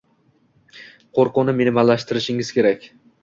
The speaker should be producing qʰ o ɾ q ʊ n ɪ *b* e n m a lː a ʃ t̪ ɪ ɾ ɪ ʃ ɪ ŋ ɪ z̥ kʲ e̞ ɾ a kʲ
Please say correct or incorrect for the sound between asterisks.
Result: incorrect